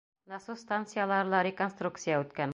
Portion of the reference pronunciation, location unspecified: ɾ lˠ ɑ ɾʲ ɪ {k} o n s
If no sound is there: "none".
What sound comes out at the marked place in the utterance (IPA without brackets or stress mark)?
k